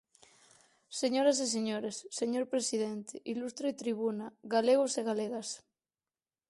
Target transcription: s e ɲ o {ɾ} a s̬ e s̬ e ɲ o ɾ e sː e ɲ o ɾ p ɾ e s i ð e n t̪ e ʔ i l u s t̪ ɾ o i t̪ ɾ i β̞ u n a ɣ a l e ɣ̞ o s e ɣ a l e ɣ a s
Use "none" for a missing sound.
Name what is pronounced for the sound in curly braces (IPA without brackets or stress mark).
ɾ